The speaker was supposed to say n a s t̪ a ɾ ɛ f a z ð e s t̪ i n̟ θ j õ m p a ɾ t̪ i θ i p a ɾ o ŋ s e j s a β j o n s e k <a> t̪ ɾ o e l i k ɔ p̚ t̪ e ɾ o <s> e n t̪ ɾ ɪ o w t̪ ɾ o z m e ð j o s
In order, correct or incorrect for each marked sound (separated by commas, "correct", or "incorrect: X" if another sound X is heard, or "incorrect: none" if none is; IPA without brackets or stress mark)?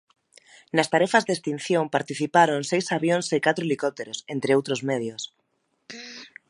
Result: correct, correct